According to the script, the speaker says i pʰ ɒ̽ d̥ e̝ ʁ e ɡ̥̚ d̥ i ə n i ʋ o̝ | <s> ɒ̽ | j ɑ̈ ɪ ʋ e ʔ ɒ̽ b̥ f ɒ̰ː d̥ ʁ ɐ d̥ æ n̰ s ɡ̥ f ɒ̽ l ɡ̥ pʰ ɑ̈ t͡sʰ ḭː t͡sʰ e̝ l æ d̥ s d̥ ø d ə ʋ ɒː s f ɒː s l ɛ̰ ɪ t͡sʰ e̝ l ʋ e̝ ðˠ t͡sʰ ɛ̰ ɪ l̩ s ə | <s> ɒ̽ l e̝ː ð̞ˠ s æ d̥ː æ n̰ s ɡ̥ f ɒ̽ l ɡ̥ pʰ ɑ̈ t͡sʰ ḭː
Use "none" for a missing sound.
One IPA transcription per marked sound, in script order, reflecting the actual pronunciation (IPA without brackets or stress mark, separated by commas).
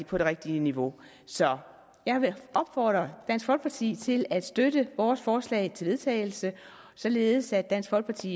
s, s